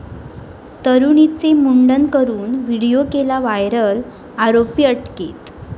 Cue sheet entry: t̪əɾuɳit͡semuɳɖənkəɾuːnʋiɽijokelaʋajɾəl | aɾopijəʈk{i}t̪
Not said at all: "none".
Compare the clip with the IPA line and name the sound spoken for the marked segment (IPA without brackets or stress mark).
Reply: e